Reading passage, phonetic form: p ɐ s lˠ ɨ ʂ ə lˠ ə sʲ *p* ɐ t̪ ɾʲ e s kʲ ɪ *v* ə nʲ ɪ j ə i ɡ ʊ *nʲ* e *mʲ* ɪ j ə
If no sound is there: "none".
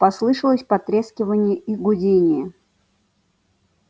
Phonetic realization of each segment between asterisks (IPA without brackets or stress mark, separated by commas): p, v, dʲ, nʲ